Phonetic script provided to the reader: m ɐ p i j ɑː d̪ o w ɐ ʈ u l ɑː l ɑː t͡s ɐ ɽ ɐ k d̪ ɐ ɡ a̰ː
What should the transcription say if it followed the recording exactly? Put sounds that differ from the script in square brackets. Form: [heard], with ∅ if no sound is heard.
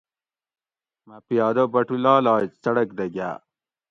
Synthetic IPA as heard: m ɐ p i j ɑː d̪ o [b] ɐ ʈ u l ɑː l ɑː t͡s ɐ ɽ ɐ k d̪ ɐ ɡ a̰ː

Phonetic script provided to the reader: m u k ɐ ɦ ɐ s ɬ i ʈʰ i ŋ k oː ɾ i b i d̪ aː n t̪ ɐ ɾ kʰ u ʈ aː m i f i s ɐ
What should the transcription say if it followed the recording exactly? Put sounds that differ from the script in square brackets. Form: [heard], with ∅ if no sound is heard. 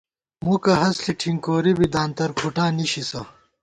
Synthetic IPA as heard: m u k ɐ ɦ ɐ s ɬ i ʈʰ i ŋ k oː ɾ i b i d̪ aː n t̪ ɐ ɾ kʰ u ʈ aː [n] i [ɕ] i s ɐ

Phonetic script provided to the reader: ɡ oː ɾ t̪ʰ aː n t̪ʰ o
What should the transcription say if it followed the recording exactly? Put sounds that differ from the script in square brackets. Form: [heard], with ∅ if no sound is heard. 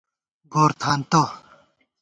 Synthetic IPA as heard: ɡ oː ɾ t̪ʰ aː n [t̪] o

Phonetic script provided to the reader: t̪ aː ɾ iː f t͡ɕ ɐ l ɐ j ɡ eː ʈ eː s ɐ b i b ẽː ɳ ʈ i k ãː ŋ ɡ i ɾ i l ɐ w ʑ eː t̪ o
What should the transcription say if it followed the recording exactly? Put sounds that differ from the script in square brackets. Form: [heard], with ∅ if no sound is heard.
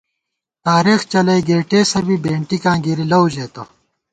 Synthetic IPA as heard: t̪ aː ɾ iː [x] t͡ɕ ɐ l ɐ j ɡ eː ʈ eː s ɐ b i b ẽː ɳ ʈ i k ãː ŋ ɡ i ɾ i l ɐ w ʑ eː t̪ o

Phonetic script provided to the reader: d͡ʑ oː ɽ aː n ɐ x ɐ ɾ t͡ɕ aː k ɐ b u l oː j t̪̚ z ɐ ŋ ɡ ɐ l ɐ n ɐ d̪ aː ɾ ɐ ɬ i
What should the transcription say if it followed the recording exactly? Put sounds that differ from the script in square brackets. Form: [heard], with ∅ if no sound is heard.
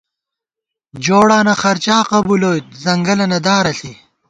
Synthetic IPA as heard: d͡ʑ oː ɽ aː n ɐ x ɐ ɾ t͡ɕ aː [q] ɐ b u l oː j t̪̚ z ɐ ŋ ɡ ɐ l ɐ n ɐ d̪ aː ɾ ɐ ɬ i

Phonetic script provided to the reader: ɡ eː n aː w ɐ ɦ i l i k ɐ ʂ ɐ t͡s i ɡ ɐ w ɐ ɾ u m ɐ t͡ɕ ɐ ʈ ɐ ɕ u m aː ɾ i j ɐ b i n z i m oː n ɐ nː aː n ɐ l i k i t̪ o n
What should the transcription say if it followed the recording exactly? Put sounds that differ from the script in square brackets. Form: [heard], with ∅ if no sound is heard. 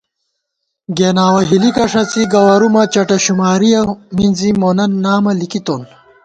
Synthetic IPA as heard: ɡ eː n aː w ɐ ɦ i l i k ɐ ʂ ɐ t͡s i ɡ ɐ w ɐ ɾ u m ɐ t͡ɕ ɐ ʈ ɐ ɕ u m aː ɾ i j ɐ [m] i n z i m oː n ɐ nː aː [m] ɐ l i k i t̪ o n

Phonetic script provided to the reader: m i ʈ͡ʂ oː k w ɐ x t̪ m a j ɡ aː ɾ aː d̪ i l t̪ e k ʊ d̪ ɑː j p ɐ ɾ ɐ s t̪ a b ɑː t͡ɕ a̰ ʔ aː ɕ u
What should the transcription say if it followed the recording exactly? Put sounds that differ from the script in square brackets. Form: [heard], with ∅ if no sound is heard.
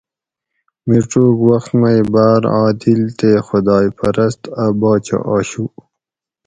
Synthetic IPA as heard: m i ʈ͡ʂ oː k w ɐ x t̪ m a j [b] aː ɾ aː d̪ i l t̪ e [x] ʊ d̪ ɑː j p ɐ ɾ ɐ s t̪ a b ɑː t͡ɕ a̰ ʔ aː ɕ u

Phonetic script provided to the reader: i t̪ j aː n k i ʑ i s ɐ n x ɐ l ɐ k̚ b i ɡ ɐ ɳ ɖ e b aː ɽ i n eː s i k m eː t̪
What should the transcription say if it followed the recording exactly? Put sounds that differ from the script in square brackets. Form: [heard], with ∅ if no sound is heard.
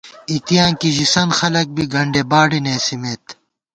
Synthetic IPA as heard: i t̪ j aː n k i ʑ i s ɐ n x ɐ l ɐ k̚ b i ɡ ɐ ɳ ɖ e b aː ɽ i n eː s i [∅] m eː t̪

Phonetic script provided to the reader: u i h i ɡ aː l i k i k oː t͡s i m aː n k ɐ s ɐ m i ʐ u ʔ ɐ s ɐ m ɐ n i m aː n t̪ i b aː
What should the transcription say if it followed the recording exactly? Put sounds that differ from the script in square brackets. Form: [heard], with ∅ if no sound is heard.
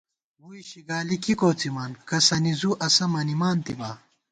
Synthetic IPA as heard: u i [ɕ] i ɡ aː l i k i k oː t͡s i m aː n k ɐ s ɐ [n] i [z] u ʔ ɐ s ɐ m ɐ n i m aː n t̪ i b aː

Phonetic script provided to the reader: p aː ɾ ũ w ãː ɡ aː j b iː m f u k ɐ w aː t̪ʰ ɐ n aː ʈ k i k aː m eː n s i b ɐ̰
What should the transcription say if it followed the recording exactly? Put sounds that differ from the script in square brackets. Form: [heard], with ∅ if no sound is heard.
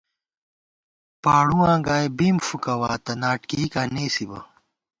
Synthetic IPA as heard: p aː [ɽ] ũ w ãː ɡ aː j b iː m f u k ɐ w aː [t̪] ɐ n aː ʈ k i k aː [n] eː [∅] s i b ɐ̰

